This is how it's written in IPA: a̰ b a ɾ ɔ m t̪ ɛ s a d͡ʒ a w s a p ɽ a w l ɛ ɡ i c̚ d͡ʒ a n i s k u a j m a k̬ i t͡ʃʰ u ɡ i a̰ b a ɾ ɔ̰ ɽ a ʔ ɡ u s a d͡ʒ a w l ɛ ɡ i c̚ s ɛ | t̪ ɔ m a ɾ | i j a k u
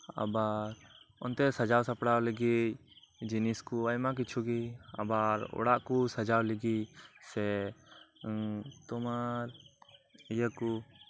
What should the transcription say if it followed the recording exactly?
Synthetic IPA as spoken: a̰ b a ɾ ɔ n t̪ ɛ s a d͡ʒ a w s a p ɽ a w l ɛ ɡ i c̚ d͡ʒ i n i s k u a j m a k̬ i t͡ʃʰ u ɡ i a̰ b a ɾ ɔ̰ ɽ a ʔ k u s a d͡ʒ a w l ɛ ɡ i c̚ s ɛ | t̪ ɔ m a ɾ | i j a k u